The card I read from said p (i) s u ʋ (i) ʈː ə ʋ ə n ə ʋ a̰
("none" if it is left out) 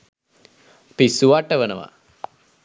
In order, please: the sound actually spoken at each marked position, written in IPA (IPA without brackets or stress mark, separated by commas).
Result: i, a